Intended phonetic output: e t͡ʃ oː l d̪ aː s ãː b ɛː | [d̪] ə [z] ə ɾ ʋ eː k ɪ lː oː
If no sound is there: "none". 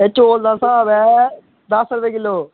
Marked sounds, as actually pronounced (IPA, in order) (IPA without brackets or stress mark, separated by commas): d̪, s